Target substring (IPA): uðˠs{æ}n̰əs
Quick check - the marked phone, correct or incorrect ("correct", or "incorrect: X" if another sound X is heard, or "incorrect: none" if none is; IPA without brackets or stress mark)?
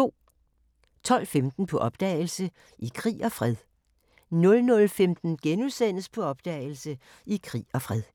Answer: incorrect: e